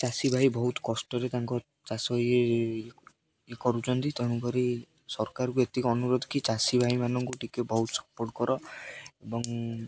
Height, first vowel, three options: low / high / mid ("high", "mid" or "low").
low